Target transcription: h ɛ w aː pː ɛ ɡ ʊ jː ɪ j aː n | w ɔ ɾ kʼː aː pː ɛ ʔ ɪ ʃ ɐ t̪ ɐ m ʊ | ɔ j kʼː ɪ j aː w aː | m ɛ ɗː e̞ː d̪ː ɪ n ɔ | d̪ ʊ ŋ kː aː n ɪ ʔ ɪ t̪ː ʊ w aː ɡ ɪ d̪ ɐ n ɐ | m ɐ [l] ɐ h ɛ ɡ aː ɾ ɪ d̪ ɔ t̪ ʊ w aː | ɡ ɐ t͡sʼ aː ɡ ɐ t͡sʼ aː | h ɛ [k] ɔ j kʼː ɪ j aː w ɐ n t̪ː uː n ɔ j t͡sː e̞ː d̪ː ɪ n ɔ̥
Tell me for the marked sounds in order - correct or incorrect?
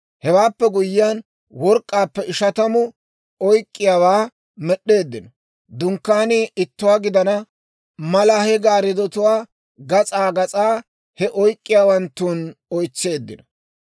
correct, incorrect

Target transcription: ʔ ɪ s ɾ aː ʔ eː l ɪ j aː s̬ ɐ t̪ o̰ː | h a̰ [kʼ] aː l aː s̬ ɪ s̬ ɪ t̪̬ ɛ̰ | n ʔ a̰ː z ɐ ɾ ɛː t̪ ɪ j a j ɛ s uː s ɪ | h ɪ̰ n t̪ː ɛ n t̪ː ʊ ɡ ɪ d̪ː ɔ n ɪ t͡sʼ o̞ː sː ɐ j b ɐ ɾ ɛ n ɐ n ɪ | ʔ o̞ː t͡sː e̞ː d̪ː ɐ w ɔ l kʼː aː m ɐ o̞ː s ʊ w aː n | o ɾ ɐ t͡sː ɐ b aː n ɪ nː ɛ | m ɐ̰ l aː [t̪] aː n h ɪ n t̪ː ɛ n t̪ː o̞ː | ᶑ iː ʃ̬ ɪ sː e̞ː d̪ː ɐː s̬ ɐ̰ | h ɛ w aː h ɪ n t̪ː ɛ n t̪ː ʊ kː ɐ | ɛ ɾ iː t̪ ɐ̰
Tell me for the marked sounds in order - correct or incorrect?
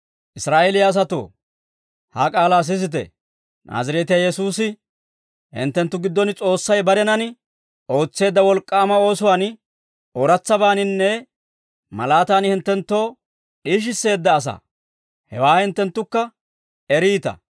correct, correct

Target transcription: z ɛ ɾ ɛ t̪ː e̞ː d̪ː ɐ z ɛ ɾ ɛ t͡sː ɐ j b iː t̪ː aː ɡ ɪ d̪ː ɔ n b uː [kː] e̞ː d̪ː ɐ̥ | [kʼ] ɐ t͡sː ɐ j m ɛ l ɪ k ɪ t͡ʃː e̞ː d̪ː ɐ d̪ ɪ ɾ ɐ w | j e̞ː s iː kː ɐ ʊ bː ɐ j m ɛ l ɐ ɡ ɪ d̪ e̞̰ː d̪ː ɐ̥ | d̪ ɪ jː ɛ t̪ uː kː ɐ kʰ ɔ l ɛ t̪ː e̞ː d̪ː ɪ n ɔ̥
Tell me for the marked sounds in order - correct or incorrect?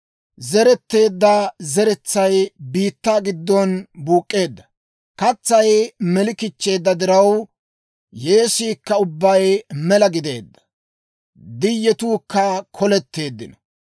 incorrect, incorrect

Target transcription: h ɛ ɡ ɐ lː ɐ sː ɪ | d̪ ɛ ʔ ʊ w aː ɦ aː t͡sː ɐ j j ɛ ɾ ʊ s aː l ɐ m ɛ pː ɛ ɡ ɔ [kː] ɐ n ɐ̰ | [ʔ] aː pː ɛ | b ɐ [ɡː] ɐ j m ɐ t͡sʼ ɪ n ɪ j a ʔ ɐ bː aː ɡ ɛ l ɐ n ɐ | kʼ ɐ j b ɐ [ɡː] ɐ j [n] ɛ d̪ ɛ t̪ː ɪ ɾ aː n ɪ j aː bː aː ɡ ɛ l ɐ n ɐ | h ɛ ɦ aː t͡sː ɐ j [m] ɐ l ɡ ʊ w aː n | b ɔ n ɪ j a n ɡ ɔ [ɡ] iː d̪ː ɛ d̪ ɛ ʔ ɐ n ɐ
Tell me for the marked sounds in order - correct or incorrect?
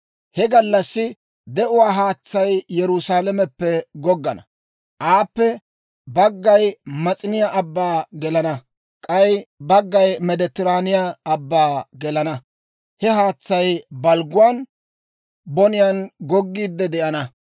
incorrect, correct, correct, correct, incorrect, incorrect, incorrect

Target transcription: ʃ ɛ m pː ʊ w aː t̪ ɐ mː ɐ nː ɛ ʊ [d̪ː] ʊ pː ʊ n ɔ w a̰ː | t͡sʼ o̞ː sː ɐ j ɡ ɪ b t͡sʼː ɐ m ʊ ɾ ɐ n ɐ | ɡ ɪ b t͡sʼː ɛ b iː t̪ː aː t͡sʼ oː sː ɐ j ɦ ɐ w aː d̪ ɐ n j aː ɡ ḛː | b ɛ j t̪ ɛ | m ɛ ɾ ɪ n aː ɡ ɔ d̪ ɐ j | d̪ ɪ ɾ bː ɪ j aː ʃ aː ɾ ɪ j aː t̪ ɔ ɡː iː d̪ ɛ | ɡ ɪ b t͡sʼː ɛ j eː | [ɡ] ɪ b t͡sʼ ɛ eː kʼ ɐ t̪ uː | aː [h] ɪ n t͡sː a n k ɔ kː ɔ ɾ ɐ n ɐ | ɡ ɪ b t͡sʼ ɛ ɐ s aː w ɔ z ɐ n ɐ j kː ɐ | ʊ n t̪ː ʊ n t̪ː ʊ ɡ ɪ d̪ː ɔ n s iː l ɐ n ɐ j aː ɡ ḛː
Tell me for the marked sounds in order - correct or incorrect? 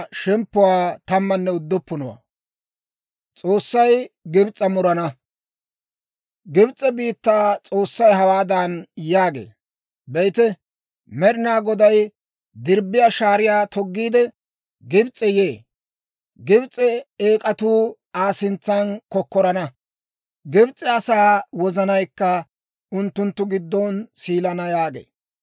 correct, correct, incorrect

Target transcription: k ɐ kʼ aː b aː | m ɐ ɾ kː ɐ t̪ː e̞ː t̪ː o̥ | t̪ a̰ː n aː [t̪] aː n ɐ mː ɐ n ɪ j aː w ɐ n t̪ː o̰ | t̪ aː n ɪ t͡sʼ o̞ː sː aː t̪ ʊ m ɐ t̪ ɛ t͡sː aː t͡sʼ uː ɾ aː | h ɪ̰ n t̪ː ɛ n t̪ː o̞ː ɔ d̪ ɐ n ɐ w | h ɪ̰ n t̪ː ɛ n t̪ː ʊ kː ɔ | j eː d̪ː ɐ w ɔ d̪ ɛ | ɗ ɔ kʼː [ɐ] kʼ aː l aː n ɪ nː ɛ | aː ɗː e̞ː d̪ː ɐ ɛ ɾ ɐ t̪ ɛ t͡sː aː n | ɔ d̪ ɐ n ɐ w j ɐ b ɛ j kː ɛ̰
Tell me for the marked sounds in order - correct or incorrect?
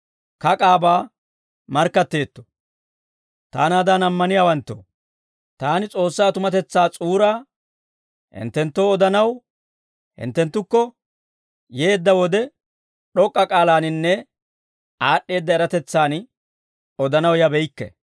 incorrect, correct

